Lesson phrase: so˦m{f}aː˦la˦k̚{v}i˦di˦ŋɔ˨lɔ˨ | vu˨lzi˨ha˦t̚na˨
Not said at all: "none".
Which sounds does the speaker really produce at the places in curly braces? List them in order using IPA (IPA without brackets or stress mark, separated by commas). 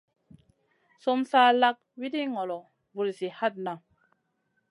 s, w